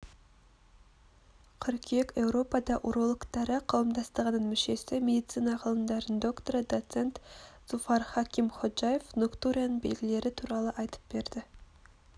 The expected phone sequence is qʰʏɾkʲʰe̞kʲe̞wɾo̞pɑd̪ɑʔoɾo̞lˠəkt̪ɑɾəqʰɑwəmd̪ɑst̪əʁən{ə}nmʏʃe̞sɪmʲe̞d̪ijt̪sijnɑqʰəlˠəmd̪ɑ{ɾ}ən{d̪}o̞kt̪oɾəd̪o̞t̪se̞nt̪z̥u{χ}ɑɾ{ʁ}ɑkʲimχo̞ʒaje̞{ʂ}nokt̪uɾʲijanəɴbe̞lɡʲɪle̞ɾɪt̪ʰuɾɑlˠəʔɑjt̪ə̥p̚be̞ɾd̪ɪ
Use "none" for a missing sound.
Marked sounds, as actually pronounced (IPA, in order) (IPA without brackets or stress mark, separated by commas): ə, ɾ, d̪, f, χ, f